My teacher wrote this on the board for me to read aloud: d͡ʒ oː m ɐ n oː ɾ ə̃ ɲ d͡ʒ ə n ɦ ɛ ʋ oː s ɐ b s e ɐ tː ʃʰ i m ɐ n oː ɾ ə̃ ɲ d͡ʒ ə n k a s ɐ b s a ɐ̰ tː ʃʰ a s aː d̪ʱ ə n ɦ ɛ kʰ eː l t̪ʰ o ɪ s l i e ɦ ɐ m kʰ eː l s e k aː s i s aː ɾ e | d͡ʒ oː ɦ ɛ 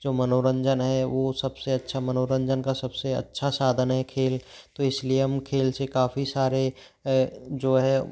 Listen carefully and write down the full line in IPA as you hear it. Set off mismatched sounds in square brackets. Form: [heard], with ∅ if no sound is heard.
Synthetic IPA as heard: d͡ʒ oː m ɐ n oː ɾ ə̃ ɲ d͡ʒ ə n ɦ ɛ ʋ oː s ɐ b s e ɐ tː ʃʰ [a] m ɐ n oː ɾ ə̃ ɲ d͡ʒ ə n k a s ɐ b s [e] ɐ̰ tː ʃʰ a s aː d̪ʱ ə n ɦ ɛ kʰ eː l [t̪] o ɪ s l i e ɦ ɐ m kʰ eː l s e k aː [f] i s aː ɾ e | d͡ʒ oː ɦ ɛ